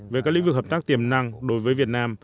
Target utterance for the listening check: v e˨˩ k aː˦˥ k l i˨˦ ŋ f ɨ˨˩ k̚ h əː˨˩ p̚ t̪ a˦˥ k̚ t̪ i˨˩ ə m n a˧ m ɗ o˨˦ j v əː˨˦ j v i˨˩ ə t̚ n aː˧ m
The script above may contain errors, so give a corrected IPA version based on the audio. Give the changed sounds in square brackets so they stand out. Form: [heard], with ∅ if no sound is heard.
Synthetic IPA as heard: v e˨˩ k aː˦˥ k l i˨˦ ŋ [v] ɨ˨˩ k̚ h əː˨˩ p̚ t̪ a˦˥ k̚ t̪ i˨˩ ə m n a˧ [ŋ] ɗ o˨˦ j v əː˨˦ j v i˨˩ ə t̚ n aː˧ m